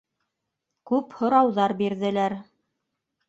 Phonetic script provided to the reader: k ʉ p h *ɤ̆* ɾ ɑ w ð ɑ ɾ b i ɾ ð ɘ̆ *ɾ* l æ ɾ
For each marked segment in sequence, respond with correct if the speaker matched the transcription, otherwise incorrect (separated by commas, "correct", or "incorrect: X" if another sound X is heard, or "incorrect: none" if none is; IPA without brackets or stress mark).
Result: incorrect: ŏ, incorrect: none